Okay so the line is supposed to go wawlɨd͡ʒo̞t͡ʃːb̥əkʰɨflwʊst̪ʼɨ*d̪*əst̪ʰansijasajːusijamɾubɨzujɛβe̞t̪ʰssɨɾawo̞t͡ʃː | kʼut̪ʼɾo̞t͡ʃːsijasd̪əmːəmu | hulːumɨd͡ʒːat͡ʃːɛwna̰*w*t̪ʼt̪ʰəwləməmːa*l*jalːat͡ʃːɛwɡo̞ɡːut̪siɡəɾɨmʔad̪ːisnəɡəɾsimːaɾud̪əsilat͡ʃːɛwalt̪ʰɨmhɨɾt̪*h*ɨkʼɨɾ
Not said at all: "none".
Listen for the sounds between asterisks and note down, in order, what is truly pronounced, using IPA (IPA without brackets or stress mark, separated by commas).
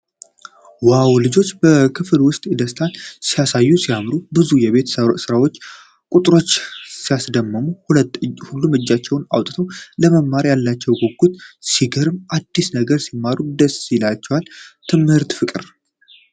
d̪, w, ɾ, f